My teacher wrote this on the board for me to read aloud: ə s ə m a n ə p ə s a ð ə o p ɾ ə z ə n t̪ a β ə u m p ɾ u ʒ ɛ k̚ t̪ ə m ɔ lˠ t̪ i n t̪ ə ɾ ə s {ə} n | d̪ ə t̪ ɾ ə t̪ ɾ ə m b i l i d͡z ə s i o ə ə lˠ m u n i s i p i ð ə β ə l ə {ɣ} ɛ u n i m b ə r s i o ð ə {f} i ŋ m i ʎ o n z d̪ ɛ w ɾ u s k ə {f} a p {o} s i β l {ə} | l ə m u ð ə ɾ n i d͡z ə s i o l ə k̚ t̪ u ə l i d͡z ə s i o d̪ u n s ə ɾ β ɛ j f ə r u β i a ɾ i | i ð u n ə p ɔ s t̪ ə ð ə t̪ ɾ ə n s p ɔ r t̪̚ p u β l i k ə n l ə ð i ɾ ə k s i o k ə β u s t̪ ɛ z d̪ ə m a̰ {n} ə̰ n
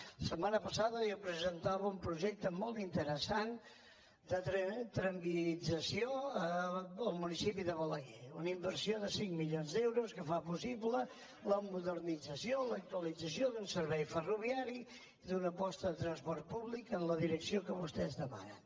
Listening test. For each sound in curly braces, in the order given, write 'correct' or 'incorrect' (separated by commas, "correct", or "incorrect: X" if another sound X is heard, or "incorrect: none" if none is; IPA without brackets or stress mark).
incorrect: a, correct, incorrect: s, correct, incorrect: u, correct, correct